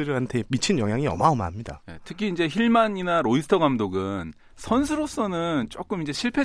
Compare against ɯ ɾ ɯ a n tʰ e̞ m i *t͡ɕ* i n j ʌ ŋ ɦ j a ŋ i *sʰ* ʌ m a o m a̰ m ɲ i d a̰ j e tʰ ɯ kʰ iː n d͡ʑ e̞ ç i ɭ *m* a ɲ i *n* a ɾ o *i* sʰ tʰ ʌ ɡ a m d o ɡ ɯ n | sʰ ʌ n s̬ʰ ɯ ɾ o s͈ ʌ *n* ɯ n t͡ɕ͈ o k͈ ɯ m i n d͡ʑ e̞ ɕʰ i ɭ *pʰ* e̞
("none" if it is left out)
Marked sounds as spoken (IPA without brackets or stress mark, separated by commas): t͡ɕʰ, none, m, n, i, n, pʰ